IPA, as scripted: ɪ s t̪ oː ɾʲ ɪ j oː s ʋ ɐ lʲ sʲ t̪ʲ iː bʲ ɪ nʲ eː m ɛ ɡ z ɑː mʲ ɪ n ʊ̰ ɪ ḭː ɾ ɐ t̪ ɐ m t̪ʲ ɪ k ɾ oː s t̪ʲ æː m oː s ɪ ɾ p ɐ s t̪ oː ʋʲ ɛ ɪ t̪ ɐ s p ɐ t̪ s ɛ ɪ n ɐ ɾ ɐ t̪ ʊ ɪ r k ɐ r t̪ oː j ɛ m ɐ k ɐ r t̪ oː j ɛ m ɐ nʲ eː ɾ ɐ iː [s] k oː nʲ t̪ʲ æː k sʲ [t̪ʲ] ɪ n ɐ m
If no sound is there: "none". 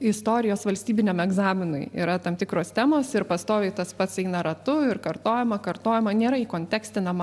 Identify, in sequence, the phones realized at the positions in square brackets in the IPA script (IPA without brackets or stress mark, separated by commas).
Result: none, t̪ʲ